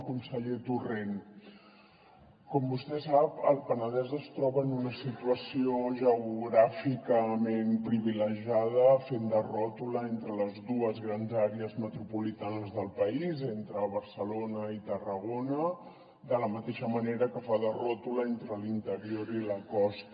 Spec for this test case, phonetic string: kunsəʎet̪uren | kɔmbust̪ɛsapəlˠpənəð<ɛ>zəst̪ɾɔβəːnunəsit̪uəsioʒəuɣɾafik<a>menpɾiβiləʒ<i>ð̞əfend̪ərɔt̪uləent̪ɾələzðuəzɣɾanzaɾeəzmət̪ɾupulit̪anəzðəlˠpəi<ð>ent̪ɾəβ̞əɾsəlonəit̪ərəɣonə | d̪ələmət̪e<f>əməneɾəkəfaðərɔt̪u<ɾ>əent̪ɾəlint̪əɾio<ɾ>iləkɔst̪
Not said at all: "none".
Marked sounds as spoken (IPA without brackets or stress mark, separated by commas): ɛ, ə, a, z, ʃ, l, ɾ